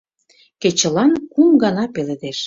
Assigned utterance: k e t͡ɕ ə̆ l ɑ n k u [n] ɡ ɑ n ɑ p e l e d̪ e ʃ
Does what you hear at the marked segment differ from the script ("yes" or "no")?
yes